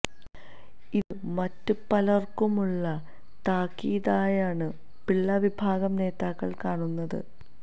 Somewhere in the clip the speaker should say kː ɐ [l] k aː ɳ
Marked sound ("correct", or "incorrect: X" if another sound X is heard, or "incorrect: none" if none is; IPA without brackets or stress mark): incorrect: ɭ